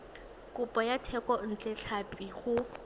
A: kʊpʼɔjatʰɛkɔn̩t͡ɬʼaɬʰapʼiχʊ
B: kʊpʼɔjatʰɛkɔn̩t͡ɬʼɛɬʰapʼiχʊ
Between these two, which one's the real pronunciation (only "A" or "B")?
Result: B